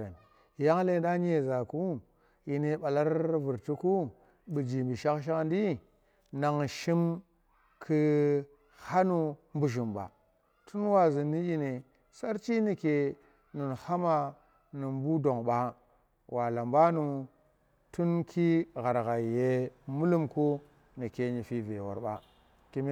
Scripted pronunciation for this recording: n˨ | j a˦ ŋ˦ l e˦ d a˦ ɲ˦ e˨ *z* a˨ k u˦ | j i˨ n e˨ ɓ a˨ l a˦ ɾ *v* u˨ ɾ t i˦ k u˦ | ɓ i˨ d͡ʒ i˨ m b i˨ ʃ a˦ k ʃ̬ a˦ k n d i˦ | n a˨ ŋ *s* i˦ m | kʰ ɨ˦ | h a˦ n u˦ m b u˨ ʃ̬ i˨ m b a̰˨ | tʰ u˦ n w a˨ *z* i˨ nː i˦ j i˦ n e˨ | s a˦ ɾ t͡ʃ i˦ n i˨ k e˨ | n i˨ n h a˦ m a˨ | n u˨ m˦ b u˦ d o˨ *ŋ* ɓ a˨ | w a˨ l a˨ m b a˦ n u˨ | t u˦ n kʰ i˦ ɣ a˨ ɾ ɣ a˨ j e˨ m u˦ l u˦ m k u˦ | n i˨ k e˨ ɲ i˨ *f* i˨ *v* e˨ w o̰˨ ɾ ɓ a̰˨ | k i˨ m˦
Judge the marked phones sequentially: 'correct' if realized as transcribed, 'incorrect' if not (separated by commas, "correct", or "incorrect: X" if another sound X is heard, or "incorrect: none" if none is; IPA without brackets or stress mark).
correct, correct, incorrect: ʃ, correct, correct, correct, correct